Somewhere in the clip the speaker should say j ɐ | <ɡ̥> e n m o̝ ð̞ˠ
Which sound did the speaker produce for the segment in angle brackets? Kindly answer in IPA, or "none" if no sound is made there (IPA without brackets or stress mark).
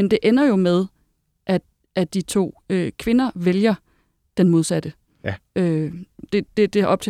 d̥